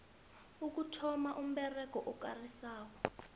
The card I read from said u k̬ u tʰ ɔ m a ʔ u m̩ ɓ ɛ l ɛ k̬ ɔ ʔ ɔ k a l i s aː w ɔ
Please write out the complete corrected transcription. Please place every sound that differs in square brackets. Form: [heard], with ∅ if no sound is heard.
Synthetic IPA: u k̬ u tʰ ɔ m a ʔ u m̩ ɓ ɛ [r] ɛ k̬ ɔ ʔ ɔ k a [r] i s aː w ɔ